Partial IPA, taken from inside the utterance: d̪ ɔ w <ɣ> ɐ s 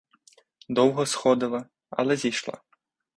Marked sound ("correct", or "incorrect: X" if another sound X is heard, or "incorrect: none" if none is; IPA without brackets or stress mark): correct